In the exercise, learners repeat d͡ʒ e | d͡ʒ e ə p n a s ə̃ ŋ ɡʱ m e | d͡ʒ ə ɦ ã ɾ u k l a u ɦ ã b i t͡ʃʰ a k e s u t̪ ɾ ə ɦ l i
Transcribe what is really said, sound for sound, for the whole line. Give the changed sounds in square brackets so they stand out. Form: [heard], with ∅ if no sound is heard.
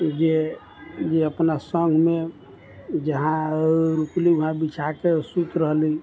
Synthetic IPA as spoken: d͡ʒ e | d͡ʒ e ə p n a s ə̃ ŋ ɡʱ m e | d͡ʒ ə ɦ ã ɾ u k l [i] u ɦ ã b i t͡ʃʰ a k e s u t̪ ɾ ə ɦ l i

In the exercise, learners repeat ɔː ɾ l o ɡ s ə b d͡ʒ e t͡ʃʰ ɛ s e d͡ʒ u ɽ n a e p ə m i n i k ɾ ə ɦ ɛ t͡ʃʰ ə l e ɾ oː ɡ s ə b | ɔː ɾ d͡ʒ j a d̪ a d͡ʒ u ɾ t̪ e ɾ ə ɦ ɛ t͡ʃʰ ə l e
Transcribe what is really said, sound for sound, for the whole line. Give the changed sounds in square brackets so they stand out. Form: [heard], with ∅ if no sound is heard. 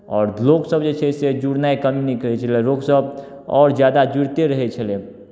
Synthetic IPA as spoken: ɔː ɾ l o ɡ s ə b d͡ʒ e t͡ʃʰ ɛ s e d͡ʒ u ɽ n a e [k] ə m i n i k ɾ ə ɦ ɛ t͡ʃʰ ə l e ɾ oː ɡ s ə b | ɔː ɾ d͡ʒ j a d̪ a d͡ʒ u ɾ t̪ e ɾ ə ɦ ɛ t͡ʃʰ ə l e

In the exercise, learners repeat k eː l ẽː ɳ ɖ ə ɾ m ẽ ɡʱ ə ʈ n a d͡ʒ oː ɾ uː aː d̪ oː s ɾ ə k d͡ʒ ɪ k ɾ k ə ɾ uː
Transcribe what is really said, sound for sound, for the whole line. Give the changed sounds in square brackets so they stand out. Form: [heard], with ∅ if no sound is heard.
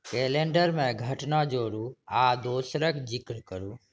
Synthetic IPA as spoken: k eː l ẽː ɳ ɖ ə ɾ m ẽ ɡʱ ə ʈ n a d͡ʒ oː ɾ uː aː d̪ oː s ɾ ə k d͡ʒ ɪ k ɾ k ə ɾ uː

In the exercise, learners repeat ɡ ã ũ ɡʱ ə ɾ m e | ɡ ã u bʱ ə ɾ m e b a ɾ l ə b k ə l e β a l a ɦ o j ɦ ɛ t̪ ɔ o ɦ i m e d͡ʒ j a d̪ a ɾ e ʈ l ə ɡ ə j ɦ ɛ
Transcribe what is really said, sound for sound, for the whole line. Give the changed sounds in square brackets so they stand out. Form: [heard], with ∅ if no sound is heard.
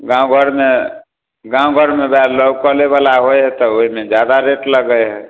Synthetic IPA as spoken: ɡ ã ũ ɡʱ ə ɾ m e | ɡ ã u [ɡʱ] ə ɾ m e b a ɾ l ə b k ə l e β a l a ɦ o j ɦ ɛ t̪ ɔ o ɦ i m e d͡ʒ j a d̪ a ɾ e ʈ l ə ɡ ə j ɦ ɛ

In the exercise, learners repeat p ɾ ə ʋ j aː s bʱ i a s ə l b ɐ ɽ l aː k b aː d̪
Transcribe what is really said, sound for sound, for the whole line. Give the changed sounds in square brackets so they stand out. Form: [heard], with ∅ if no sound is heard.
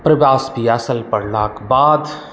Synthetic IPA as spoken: p ɾ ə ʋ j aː s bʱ i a s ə l [p] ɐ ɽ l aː k b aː d̪

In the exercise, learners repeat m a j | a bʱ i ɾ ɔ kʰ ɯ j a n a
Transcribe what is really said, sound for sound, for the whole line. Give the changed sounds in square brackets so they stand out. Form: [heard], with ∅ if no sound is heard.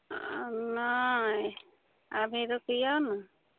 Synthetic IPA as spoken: [n] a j | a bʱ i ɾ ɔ [k] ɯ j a n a

